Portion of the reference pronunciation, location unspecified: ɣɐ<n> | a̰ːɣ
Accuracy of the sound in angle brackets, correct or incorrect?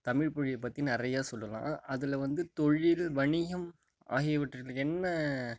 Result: incorrect